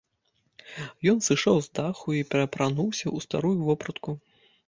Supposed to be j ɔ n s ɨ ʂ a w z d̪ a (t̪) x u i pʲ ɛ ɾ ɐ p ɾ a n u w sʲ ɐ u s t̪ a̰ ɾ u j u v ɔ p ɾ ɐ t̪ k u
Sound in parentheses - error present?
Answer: yes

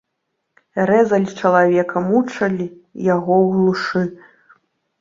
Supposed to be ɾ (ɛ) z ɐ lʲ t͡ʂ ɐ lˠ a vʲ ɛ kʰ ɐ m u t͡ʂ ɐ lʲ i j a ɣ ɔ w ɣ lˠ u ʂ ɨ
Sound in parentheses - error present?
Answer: no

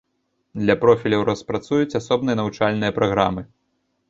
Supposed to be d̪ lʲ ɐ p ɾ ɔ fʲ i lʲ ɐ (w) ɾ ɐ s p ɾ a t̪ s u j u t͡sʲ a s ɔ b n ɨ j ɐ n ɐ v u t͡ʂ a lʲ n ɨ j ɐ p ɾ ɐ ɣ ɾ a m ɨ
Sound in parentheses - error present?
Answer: no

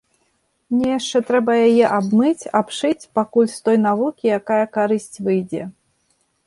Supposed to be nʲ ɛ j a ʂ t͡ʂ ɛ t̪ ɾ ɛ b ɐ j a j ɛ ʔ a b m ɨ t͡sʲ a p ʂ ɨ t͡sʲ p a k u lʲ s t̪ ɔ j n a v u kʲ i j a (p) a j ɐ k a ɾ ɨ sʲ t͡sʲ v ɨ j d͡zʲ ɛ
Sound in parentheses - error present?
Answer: yes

